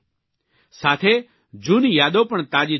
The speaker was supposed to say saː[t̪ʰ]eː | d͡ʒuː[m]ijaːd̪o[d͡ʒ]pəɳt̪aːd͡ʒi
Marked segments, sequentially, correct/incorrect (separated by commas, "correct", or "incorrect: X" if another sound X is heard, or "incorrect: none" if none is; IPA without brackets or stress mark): correct, incorrect: n, incorrect: none